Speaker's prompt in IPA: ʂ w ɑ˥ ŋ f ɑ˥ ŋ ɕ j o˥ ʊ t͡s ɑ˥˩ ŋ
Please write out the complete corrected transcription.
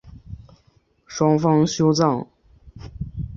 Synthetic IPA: ʂ w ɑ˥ ŋ f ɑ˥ ŋ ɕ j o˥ ʊ t͡s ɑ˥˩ ŋ